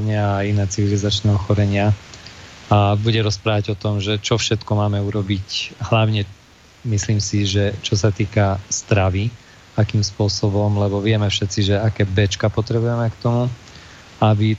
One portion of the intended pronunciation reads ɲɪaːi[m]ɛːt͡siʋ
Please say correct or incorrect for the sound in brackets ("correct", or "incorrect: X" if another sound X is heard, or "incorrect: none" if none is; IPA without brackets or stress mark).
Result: incorrect: n